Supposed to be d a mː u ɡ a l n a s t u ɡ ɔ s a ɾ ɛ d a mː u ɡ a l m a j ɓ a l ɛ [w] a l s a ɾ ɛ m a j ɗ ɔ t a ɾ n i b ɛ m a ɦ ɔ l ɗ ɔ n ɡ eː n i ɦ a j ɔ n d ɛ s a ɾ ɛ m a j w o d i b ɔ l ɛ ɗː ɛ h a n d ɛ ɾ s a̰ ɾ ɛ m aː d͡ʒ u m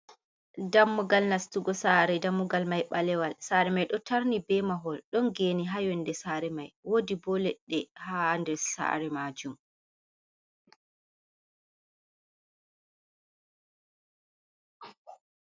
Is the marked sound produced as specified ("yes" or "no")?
yes